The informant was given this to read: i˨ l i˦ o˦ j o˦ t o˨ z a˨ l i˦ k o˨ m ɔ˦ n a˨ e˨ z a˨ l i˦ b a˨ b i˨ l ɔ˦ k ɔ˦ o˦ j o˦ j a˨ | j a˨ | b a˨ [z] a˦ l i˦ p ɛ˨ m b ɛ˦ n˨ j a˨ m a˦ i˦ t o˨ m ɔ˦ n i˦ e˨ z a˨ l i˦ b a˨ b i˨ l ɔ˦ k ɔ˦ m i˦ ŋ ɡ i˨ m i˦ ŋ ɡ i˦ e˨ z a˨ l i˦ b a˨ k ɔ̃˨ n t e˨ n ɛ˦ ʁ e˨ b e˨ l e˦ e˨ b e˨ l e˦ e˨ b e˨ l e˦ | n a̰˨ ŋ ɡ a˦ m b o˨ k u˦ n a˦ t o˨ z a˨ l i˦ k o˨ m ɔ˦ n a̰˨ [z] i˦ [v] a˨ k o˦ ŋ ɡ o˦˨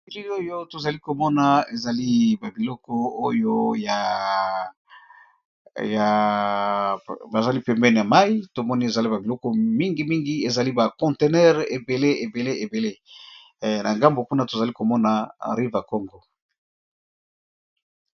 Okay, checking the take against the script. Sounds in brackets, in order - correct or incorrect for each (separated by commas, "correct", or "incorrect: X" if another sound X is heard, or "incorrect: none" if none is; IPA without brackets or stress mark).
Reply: correct, incorrect: ʁ, correct